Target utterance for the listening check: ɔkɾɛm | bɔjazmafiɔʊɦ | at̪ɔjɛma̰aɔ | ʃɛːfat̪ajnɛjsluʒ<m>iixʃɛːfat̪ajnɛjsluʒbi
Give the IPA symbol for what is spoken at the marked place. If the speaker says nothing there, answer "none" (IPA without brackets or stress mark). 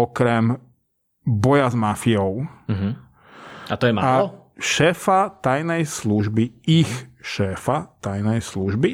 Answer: b